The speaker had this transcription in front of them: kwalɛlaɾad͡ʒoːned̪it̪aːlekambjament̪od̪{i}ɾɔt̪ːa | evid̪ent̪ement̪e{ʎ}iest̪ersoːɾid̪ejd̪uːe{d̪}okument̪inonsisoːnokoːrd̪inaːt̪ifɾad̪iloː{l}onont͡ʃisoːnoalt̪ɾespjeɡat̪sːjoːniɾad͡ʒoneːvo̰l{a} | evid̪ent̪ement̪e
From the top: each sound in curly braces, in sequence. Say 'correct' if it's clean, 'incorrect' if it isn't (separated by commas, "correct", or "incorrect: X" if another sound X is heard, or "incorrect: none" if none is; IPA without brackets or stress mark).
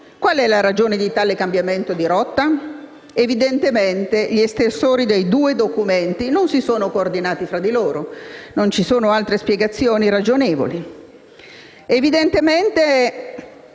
correct, correct, correct, incorrect: ɾ, incorrect: i